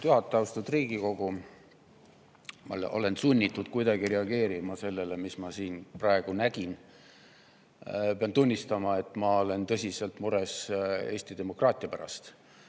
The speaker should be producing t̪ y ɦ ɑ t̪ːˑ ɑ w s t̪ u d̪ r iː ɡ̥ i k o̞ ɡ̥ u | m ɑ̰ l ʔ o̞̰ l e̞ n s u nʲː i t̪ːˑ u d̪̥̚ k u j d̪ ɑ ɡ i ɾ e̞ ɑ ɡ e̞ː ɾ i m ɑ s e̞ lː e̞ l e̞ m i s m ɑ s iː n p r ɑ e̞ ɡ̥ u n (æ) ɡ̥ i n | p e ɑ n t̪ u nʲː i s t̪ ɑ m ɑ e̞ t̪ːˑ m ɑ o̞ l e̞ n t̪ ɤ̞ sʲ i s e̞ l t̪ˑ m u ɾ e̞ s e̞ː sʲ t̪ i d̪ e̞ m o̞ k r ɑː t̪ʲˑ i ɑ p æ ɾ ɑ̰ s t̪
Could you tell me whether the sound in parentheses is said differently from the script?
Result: no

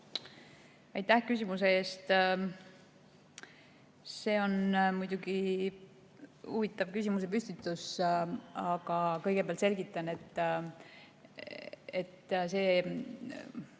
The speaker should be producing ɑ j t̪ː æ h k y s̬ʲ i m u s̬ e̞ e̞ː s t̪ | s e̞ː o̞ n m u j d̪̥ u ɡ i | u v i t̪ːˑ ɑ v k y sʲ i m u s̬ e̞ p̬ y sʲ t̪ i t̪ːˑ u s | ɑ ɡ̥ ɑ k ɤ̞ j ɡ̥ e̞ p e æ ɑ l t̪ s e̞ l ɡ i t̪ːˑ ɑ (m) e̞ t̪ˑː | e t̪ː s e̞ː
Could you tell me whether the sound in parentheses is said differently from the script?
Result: yes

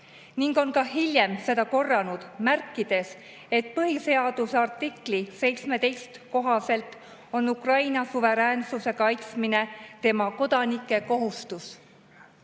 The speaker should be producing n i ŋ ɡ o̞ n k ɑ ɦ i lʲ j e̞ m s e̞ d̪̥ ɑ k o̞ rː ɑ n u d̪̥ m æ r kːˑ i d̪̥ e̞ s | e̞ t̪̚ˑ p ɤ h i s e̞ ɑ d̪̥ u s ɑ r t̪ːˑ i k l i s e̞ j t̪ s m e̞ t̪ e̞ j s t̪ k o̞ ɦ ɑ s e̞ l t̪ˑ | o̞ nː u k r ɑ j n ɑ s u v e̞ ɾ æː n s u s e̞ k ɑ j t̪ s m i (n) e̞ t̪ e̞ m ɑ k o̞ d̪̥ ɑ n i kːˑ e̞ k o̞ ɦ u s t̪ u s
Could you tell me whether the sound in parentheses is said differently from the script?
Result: no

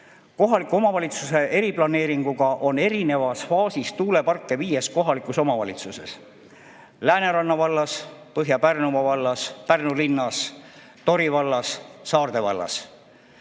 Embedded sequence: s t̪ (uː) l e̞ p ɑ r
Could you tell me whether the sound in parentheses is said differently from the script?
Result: no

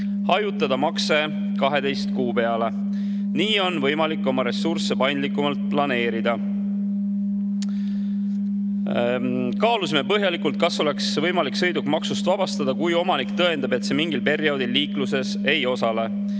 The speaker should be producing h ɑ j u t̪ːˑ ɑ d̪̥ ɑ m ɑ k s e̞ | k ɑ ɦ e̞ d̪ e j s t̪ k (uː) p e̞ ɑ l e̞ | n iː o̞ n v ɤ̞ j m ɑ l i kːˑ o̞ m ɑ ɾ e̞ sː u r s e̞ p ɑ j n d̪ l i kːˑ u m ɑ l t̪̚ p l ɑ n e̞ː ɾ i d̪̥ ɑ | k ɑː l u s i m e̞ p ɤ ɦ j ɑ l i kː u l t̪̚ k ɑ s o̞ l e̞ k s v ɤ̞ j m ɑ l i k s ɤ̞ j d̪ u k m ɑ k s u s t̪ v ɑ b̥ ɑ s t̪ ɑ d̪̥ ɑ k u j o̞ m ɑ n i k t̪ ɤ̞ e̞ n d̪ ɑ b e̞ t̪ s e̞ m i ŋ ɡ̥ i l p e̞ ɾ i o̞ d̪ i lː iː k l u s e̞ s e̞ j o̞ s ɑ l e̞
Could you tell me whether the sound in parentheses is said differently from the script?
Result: no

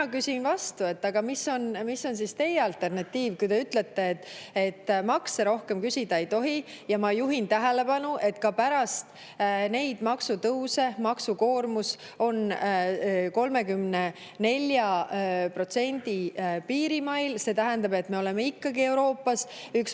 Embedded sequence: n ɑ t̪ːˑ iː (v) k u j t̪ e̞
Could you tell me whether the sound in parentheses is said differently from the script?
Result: no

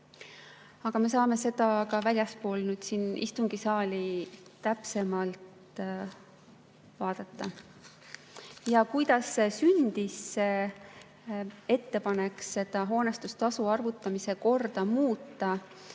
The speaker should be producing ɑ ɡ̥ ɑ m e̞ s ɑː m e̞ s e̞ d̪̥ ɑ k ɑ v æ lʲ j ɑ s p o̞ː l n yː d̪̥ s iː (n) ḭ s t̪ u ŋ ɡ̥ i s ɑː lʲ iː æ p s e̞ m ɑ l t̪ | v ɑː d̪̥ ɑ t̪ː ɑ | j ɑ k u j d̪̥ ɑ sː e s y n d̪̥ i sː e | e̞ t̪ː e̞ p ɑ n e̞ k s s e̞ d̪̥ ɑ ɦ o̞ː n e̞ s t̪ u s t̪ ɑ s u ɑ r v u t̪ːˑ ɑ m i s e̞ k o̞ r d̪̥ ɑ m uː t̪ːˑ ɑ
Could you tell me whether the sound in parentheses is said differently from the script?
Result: no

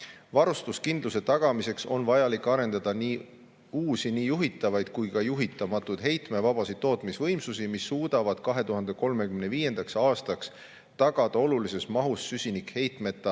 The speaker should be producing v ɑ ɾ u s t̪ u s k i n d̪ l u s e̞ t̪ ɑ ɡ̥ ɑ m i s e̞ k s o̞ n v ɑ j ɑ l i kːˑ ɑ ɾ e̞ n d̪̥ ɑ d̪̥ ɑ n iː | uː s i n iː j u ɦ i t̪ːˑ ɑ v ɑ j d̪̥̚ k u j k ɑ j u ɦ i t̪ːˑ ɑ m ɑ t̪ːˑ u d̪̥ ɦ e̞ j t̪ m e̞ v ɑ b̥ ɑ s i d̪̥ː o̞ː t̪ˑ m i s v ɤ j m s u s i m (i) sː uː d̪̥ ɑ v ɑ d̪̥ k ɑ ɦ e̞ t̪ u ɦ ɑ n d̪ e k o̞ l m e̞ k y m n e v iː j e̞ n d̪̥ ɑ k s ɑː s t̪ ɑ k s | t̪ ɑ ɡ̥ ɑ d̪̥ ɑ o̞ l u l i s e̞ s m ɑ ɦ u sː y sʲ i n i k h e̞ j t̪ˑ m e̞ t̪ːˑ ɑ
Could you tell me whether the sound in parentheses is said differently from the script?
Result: no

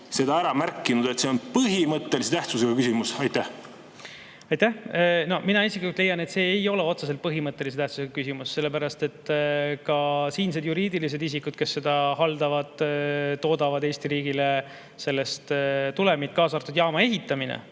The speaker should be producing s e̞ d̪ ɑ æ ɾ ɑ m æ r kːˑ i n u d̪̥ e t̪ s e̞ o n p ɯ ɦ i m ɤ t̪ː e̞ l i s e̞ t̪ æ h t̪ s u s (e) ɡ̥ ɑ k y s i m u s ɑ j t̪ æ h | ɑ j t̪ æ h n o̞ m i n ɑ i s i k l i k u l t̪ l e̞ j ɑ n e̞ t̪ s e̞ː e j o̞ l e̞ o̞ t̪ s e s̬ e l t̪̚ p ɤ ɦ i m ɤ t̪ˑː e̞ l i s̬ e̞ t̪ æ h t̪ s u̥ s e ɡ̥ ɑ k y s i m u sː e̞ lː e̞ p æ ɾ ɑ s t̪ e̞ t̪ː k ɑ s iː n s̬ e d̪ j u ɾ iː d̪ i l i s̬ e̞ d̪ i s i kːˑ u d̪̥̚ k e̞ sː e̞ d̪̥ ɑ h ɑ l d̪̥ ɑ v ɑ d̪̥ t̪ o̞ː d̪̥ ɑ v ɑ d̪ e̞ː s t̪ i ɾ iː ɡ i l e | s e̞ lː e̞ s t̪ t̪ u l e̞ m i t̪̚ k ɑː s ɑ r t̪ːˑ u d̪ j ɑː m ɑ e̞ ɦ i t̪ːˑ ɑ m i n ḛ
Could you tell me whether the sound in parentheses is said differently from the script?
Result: no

